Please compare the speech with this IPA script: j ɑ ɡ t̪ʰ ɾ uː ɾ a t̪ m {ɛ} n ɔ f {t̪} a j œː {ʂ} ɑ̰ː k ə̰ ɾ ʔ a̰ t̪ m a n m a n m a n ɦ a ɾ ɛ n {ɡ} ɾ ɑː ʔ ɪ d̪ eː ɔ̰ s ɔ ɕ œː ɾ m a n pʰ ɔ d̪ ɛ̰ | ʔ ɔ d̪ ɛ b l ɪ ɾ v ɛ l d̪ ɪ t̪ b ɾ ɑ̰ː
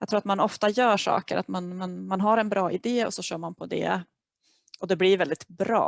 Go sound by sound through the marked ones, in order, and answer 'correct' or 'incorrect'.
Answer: incorrect: a, correct, correct, incorrect: b

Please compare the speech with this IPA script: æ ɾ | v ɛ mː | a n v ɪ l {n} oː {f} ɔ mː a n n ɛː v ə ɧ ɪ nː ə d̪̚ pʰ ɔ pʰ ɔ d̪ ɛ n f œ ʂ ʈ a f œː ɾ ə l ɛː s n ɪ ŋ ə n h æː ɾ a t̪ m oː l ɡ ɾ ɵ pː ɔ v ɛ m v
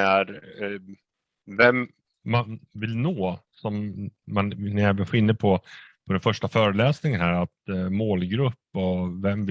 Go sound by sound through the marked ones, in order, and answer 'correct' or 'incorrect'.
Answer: correct, incorrect: s

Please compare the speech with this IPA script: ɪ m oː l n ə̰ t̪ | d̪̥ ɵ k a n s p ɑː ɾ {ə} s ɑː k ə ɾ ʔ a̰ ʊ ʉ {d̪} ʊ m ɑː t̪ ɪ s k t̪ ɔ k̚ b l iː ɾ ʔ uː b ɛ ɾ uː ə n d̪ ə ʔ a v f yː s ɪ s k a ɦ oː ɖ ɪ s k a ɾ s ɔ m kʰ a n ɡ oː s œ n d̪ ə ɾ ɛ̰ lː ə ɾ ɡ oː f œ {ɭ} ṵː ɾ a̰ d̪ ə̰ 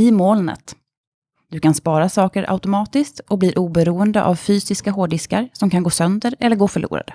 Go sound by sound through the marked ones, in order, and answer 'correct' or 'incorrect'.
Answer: incorrect: a, incorrect: t̪, correct

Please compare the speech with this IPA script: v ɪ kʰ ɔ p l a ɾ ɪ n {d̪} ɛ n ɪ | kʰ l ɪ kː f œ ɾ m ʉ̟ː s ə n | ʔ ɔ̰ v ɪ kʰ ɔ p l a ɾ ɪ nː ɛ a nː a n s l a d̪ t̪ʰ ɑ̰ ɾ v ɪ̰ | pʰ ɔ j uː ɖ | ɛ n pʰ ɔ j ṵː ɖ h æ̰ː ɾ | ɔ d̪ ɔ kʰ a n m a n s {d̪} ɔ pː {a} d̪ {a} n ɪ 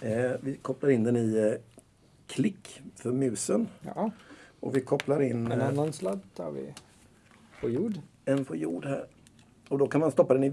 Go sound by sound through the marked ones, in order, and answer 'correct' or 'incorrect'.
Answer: correct, incorrect: t̪, correct, incorrect: ɛ

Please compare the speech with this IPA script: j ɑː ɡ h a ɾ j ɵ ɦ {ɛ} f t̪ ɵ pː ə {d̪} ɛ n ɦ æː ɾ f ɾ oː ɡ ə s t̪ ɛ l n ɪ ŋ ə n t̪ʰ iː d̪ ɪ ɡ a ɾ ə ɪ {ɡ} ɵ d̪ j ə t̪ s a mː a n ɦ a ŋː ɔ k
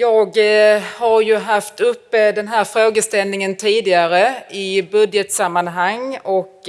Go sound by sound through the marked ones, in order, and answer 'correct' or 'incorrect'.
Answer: incorrect: a, correct, incorrect: b

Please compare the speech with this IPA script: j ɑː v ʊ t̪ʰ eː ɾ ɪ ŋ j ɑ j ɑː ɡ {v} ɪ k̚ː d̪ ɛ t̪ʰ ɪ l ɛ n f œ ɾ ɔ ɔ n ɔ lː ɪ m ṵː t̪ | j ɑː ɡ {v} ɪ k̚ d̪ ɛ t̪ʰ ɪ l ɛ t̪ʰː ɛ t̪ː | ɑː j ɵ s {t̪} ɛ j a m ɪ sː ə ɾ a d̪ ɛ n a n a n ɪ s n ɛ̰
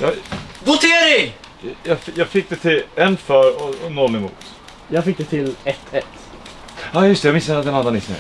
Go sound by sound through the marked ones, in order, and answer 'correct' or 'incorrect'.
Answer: incorrect: f, incorrect: f, correct

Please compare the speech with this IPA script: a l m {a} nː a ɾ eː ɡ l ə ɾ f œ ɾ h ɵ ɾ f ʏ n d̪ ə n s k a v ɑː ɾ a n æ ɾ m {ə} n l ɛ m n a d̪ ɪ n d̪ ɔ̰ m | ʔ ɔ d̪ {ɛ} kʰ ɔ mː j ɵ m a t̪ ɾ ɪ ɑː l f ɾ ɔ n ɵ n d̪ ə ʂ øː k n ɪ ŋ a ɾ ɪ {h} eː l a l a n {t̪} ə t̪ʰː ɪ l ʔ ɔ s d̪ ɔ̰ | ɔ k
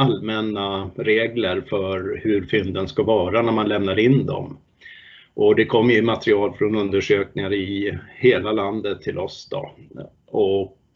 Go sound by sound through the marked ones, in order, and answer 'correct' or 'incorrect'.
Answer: incorrect: ɛ, incorrect: a, correct, correct, incorrect: d̪

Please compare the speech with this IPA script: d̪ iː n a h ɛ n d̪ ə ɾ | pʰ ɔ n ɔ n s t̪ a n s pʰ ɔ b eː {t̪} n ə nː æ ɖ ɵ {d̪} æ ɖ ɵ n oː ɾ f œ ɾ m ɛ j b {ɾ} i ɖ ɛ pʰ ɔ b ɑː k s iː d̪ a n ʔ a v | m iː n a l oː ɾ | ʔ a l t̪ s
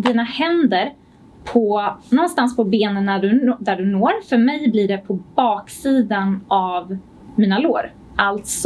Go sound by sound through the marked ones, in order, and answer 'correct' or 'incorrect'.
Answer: incorrect: none, correct, incorrect: l

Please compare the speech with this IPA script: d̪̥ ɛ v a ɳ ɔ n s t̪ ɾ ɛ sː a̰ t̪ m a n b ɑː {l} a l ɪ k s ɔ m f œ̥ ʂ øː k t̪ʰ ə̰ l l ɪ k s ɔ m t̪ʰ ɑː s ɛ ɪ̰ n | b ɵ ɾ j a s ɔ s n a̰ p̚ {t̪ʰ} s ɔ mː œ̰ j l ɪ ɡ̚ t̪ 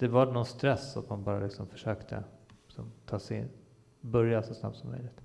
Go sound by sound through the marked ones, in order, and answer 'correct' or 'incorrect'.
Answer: incorrect: ɾ, incorrect: t̪

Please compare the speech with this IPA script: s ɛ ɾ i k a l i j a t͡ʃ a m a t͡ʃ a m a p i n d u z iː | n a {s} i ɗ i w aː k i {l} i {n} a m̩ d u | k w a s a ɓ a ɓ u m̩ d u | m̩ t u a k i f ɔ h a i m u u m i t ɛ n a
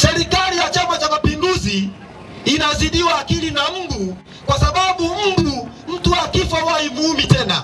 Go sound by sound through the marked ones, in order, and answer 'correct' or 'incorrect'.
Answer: incorrect: z, correct, correct

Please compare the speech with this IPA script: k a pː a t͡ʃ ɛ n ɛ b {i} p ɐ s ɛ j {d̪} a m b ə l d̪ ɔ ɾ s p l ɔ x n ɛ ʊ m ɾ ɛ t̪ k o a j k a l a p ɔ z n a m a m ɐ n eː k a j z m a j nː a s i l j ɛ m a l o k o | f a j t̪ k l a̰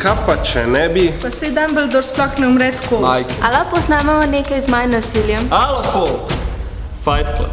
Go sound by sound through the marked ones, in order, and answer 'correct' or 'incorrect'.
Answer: correct, correct

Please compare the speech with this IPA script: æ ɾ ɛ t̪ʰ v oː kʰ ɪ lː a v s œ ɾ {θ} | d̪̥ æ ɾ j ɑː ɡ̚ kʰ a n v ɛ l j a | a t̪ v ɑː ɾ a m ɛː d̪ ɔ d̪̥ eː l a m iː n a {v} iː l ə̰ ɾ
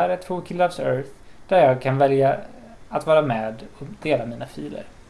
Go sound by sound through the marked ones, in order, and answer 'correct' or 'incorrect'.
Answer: correct, incorrect: f

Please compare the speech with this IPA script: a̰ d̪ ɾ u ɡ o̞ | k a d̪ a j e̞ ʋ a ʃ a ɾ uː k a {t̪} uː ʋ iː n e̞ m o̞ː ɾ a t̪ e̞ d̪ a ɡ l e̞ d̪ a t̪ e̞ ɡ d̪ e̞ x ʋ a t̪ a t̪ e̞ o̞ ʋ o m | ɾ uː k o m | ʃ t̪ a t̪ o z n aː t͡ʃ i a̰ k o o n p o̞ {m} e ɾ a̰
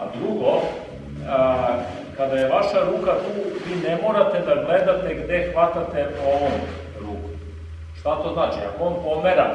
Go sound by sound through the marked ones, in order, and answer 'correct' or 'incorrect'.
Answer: correct, correct

